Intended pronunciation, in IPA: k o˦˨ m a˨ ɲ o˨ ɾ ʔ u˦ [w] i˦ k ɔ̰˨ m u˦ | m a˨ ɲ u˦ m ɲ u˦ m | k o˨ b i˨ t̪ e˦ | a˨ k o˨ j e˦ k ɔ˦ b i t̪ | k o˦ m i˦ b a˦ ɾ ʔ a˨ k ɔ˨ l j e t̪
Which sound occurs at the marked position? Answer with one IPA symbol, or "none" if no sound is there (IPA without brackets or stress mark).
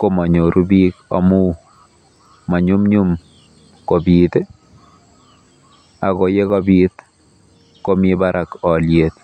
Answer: b